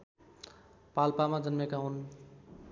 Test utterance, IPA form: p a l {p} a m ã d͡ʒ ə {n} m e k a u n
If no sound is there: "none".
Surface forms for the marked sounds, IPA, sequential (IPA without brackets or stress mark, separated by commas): p, n